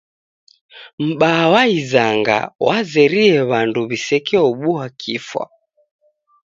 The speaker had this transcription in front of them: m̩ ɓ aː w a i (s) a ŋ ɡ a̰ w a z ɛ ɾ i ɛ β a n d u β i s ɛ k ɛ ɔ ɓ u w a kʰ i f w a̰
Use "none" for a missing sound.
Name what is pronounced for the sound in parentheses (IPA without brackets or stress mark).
z